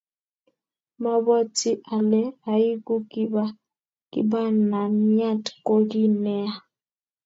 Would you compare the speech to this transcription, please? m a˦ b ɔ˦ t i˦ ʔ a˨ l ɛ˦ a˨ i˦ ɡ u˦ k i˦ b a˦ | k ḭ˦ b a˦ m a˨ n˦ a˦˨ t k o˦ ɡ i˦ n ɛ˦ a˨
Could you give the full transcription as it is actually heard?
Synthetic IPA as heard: m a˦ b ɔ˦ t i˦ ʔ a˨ l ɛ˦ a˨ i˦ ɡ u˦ k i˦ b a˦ | k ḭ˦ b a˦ n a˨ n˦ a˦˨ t k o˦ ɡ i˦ n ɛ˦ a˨